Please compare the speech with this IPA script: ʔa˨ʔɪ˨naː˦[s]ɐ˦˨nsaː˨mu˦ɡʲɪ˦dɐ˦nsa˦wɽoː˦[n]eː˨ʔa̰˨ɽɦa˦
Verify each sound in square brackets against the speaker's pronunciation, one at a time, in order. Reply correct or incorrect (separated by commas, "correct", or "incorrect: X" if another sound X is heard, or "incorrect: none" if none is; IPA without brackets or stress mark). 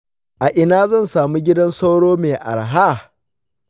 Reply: incorrect: z, incorrect: m